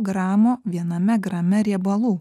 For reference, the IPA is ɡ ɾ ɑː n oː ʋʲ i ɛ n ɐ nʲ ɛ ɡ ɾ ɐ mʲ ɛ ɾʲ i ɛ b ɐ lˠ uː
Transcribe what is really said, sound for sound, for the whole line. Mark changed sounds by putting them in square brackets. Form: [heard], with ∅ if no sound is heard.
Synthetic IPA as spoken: ɡ ɾ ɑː [m] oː ʋʲ i ɛ n ɐ [mʲ] ɛ ɡ ɾ ɐ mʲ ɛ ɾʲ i ɛ b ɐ lˠ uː